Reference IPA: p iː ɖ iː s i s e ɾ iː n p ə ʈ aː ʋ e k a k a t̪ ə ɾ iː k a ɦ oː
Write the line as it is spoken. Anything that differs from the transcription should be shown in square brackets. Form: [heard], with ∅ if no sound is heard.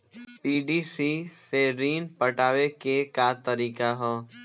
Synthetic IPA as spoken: p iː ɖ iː s i s e ɾ iː n p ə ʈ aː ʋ e k [e] k a t̪ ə ɾ iː k a ɦ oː